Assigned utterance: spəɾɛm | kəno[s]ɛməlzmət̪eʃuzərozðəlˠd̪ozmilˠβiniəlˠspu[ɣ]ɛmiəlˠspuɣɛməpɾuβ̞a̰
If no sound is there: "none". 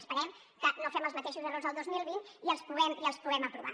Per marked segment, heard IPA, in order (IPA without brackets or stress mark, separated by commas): f, ɣ